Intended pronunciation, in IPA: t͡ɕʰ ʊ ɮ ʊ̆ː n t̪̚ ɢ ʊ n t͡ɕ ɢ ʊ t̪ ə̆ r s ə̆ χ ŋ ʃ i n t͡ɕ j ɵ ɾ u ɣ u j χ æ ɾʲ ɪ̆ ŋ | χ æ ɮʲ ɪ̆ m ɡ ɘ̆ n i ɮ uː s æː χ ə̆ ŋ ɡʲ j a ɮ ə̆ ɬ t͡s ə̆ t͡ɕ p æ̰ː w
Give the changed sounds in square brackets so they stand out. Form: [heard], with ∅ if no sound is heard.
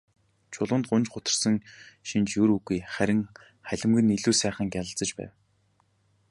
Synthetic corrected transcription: t͡ɕʰ ʊ ɮ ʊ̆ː n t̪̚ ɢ ʊ n t͡ɕ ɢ ʊ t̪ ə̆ r s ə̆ [∅] ŋ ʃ i n t͡ɕ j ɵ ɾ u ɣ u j χ æ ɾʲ ɪ̆ ŋ | χ æ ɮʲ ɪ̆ m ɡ ɘ̆ n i ɮ uː s æː χ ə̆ ŋ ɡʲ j a ɮ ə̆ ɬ t͡s ə̆ t͡ɕ p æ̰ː w